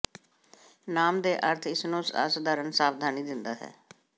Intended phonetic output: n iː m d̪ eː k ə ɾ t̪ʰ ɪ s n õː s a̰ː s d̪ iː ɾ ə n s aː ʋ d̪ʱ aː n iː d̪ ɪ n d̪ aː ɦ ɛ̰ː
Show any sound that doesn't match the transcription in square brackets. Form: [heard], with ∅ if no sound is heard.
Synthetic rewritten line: n [aː] m d̪ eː [ʔ] ə ɾ t̪ʰ ɪ s n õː s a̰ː s d̪ [aː] ɾ ə n s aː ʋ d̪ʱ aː n iː d̪ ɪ n d̪ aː ɦ ɛ̰ː